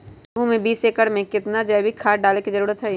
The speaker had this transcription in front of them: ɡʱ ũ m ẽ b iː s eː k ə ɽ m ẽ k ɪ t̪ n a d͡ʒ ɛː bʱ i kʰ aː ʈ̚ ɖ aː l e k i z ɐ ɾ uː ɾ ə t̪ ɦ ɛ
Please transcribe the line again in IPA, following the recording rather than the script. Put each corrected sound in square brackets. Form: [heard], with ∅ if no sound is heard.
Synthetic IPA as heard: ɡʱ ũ m ẽ b iː s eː k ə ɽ m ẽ k ɪ t̪ n a d͡ʒ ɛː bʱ i kʰ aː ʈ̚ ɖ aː l e k i z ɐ ɾ uː ɾ ə t̪ ɦ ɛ